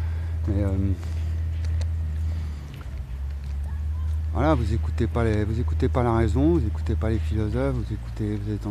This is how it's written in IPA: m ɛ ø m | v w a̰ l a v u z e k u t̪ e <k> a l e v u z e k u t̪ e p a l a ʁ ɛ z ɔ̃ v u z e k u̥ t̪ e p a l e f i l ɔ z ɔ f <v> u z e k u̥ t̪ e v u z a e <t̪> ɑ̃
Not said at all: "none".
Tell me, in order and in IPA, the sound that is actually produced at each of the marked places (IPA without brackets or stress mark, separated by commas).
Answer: p, v, t̪